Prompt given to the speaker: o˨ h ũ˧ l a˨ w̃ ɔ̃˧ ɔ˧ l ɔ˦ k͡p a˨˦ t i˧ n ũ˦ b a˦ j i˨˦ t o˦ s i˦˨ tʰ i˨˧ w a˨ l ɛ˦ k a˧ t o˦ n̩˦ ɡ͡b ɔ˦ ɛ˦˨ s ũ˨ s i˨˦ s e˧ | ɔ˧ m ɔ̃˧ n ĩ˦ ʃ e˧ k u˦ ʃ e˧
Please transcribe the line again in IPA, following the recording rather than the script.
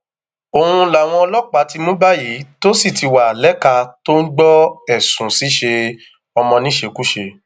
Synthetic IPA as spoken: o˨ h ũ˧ l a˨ w̃ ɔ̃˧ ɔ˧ l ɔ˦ k͡p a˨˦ t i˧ m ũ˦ b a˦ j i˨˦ t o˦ s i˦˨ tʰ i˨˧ w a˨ l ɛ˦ k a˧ t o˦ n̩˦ ɡ͡b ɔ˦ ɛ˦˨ s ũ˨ s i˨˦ ʃ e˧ | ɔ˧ m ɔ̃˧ n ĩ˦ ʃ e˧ k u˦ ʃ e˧

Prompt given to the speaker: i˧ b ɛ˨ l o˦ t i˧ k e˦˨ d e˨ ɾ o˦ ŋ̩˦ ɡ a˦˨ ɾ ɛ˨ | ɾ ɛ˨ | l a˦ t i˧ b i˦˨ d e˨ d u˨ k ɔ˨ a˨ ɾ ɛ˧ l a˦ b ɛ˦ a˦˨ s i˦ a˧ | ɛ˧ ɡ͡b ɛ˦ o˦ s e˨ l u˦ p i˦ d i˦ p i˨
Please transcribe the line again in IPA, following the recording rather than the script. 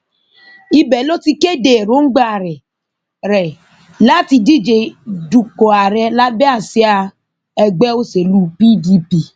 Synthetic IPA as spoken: i˧ b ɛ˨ l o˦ t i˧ k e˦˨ d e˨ ɾ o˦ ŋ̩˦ ɡ͡b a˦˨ ɾ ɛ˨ | ɾ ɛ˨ | l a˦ t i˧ d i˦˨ d͡ʒ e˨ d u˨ k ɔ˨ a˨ ɾ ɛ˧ l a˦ b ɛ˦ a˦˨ s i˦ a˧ | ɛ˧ ɡ͡b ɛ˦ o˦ s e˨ l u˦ p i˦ d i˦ p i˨

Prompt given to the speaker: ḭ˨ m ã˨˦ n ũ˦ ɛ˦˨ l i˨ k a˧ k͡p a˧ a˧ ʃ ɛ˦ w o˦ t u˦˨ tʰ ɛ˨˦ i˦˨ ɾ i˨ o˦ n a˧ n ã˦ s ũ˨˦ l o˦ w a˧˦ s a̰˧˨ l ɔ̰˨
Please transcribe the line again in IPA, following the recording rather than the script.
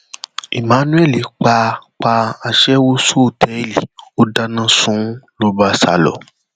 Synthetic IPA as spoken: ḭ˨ m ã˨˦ n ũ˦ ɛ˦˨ l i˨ k͡p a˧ k͡p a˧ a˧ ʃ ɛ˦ w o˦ s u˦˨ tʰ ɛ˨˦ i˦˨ l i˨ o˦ d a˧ n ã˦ s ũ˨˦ l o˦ b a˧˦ s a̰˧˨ l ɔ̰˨

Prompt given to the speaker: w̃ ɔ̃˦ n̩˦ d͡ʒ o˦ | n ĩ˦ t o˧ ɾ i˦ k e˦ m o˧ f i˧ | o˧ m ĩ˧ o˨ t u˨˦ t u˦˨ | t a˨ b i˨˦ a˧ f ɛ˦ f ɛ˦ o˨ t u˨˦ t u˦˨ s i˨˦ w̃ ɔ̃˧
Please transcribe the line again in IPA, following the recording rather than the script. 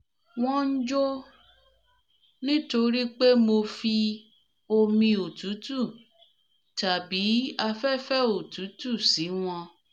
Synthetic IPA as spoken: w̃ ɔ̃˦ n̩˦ d͡ʒ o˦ | n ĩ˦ t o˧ ɾ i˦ k͡p e˦ m o˧ f i˧ | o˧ m ĩ˧ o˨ t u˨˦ t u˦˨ | t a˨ b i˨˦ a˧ f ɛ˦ f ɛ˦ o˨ t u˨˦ t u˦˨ s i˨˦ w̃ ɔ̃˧

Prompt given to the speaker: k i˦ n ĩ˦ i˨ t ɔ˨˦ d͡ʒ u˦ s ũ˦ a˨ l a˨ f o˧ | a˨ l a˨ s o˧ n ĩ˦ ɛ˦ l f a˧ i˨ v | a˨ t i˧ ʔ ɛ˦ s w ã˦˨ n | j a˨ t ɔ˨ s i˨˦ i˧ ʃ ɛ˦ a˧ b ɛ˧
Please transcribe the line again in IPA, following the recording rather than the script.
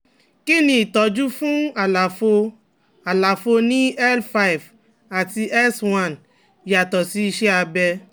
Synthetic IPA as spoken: k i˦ n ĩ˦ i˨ t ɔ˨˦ d͡ʒ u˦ f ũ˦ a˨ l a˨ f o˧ | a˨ l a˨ f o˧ n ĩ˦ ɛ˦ l f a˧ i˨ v | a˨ t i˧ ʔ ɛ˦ s w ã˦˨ n | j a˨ t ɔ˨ s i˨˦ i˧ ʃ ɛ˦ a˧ b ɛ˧

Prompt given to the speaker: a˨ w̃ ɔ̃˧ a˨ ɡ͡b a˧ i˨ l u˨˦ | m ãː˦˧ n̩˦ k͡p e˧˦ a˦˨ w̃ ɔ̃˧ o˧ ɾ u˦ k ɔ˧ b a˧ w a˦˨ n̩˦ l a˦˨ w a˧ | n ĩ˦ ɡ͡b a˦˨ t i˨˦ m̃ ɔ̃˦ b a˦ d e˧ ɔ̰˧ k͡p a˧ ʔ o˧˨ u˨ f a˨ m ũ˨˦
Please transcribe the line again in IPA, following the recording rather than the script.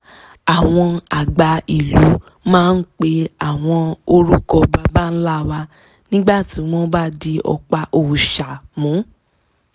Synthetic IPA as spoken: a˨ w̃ ɔ̃˧ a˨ ɡ͡b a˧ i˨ l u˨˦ | m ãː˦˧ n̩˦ k͡p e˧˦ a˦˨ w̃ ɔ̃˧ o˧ ɾ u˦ k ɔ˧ b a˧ b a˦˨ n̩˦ l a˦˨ w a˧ | n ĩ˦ ɡ͡b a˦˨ t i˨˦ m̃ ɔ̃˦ b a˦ d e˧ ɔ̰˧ k͡p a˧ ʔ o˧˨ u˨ ʃ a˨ m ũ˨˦

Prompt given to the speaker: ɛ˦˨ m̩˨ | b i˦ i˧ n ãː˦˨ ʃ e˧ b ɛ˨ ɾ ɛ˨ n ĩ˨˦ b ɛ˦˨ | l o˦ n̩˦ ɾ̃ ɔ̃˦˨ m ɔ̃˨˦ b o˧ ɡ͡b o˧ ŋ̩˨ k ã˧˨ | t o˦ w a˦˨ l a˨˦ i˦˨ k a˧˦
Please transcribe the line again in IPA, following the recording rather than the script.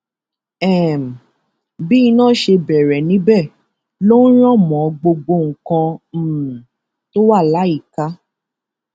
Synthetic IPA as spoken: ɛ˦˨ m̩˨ | b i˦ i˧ n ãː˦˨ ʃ e˧ b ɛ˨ ɾ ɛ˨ n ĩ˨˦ b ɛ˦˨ | l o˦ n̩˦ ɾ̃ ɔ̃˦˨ m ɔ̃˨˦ ɡ͡b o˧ ɡ͡b o˧ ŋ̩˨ k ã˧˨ | t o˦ w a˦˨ l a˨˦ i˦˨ k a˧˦

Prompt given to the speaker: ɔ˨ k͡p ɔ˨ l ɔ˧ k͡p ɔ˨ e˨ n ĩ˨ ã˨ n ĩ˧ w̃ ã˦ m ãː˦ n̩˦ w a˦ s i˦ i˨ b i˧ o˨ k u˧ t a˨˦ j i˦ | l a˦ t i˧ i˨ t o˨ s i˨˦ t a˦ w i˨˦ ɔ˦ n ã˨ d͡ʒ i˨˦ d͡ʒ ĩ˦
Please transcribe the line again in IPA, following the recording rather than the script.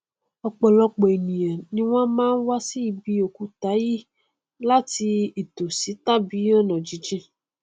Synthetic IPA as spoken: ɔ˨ k͡p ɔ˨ l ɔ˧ k͡p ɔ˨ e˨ n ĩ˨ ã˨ n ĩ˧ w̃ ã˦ m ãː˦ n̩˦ w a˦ s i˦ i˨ b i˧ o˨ k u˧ t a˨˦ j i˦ | l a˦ t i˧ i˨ t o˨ s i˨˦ t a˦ b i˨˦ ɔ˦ n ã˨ d͡ʒ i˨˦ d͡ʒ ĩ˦

